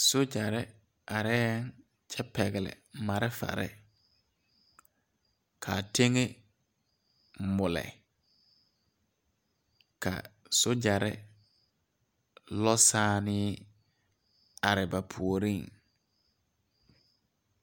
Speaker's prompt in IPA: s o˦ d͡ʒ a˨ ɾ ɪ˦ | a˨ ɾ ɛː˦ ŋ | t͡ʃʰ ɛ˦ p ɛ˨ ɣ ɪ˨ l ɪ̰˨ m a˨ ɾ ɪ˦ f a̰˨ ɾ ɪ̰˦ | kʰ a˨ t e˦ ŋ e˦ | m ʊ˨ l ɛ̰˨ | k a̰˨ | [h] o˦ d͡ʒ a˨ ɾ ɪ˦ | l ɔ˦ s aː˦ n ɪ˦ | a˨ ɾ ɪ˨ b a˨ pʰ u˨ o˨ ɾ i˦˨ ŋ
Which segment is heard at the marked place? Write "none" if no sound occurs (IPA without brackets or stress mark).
s